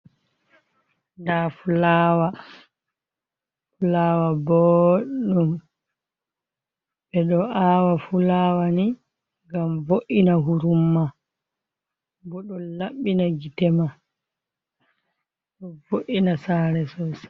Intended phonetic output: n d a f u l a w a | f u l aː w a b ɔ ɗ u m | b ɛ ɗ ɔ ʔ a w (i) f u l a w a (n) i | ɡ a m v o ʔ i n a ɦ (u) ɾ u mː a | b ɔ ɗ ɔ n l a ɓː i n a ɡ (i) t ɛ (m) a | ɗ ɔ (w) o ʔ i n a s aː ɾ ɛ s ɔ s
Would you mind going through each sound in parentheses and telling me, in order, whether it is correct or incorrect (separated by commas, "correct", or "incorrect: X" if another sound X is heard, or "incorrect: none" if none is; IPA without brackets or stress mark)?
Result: incorrect: a, correct, correct, correct, correct, incorrect: v